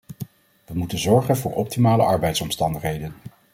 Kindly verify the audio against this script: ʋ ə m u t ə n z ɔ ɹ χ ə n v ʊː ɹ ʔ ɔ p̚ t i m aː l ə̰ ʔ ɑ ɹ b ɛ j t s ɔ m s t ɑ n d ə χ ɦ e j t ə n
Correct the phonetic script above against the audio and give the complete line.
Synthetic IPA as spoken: ʋ ə m u t ə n z ɔ ɹ χ ə n v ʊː ɹ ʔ ɔ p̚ t i m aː l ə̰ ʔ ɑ ɹ b ɛ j t s ɔ m s t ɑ n d ə χ ɦ e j d ə n